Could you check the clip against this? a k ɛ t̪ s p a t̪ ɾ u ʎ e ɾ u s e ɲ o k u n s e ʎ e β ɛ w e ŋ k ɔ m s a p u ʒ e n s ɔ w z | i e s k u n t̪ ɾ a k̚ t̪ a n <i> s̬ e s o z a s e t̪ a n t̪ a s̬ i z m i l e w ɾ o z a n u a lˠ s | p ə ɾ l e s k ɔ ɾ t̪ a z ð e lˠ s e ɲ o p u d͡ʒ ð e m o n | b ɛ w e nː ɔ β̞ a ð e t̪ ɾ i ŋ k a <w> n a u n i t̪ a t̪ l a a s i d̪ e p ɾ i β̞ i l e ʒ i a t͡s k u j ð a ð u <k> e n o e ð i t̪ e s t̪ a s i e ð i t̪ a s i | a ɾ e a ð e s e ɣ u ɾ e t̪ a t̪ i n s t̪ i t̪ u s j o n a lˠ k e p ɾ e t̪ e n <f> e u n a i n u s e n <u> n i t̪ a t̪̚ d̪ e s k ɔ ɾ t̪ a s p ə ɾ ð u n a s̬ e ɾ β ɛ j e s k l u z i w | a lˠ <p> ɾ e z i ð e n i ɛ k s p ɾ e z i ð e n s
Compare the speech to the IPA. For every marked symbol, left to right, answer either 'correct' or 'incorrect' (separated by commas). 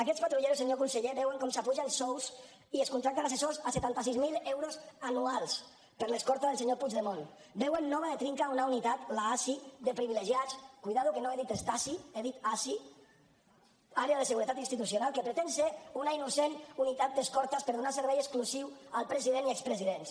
incorrect, incorrect, correct, incorrect, correct, correct